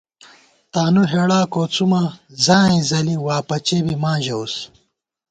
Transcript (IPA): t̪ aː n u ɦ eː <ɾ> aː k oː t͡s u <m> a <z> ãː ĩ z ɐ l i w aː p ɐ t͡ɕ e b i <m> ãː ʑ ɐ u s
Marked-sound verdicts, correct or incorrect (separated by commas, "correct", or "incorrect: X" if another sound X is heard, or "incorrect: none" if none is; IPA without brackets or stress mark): incorrect: ɽ, correct, correct, correct